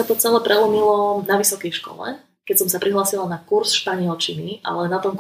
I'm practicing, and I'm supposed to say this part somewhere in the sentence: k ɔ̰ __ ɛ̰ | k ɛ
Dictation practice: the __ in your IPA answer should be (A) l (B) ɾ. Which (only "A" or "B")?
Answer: A